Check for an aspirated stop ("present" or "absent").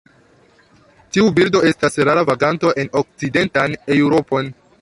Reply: absent